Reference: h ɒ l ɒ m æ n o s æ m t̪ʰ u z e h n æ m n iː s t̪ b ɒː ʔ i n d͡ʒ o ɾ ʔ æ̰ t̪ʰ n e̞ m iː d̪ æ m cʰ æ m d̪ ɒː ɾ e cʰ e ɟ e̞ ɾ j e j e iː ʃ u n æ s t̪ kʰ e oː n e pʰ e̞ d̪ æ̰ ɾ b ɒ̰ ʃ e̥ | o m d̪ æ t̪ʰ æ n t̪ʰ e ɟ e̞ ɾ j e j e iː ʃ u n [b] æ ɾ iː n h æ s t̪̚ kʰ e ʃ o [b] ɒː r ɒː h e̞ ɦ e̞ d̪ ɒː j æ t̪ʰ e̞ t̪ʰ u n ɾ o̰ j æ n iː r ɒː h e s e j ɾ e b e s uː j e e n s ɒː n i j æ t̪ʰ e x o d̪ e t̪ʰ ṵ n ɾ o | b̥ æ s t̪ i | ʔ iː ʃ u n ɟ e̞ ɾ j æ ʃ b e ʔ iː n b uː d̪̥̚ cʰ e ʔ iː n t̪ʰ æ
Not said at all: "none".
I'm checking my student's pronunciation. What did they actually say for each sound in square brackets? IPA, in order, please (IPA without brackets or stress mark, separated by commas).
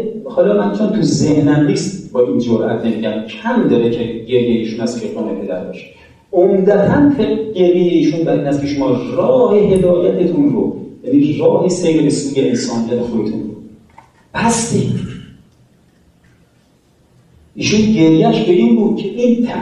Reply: b, m